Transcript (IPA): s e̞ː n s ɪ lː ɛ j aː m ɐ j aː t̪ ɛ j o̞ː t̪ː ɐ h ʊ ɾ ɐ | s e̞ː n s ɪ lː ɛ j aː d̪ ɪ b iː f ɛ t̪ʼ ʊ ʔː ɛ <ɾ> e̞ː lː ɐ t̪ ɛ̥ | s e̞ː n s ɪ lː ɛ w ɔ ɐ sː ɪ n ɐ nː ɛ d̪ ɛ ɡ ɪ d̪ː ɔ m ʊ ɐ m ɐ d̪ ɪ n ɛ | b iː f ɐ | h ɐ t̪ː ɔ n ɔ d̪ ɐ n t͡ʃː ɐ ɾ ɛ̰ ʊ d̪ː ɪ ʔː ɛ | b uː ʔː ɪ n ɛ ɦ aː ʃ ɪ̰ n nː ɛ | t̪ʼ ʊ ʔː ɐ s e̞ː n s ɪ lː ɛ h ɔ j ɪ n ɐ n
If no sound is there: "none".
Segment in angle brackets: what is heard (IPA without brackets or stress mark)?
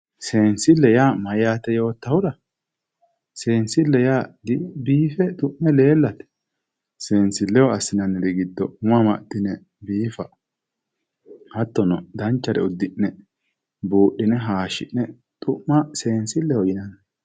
l